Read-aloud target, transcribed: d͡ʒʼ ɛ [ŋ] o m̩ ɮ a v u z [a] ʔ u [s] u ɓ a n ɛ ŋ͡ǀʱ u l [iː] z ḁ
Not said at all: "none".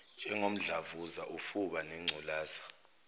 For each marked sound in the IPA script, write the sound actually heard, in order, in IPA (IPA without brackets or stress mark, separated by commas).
ŋ, a, f, aː